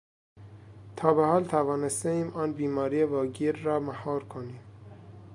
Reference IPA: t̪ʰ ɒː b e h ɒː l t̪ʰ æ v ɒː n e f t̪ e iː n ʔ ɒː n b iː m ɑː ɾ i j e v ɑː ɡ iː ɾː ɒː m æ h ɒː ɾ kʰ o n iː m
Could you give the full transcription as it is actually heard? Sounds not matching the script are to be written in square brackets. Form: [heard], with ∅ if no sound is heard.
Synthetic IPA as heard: t̪ʰ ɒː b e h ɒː l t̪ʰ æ v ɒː n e [s] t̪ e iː [m] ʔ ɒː n b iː m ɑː ɾ i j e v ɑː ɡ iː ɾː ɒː m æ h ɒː ɾ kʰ o n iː m